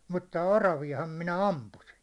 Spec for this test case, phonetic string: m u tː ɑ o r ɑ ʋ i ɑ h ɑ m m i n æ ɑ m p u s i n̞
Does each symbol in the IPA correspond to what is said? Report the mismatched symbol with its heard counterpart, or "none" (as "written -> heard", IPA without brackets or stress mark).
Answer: none